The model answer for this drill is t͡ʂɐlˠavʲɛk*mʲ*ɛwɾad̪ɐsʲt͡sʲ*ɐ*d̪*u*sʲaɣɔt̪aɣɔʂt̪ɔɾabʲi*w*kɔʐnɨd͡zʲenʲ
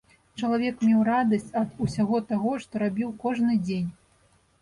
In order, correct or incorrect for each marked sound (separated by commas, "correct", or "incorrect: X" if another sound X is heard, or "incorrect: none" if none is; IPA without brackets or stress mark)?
correct, correct, correct, correct